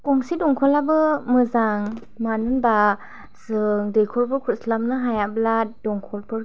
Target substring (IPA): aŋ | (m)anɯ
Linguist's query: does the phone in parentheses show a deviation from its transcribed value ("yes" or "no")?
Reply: no